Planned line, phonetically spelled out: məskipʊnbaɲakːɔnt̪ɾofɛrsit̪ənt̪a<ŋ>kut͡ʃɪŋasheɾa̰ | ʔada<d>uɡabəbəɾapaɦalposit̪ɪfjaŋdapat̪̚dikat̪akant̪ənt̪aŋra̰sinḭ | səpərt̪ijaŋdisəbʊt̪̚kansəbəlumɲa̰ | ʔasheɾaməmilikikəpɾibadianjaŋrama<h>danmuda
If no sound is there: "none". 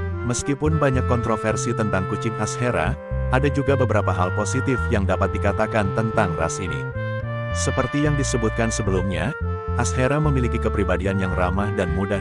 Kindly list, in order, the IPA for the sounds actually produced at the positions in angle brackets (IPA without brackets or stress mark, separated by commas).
ŋ, d͡ʒ, h